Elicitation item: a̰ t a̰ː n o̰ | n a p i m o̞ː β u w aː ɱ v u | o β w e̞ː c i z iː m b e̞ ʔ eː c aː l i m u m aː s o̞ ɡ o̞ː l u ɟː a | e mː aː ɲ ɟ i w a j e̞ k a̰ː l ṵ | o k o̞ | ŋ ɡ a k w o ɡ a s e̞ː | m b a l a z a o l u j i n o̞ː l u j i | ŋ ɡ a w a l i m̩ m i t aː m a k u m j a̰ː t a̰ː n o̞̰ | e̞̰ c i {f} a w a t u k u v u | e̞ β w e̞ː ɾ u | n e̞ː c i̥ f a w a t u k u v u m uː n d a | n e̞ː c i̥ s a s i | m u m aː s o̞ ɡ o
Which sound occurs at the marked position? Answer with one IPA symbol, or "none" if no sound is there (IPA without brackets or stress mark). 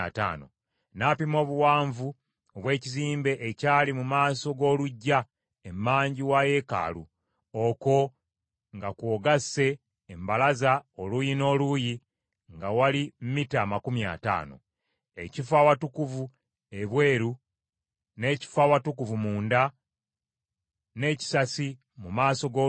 f